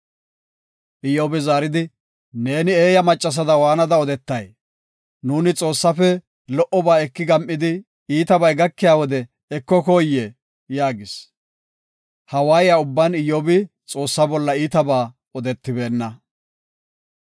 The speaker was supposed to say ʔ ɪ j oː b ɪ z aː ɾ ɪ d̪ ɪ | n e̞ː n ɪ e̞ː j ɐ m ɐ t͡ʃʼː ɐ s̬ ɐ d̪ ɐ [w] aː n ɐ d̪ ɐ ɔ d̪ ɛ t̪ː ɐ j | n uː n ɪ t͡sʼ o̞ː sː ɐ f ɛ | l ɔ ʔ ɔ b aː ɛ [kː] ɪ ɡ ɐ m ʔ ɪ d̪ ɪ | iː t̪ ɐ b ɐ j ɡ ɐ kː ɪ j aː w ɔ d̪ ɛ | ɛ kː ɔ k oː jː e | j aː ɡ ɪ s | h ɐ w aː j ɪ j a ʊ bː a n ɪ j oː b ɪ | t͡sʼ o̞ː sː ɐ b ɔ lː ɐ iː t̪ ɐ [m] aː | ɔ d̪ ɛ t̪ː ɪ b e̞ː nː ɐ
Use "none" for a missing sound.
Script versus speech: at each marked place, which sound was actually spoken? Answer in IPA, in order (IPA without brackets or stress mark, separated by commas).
w, kː, b